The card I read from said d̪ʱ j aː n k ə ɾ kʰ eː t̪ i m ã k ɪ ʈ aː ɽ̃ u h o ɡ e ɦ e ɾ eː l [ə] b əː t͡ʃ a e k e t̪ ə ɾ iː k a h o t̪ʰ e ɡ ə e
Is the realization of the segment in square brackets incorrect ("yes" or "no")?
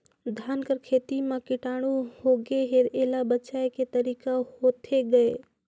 yes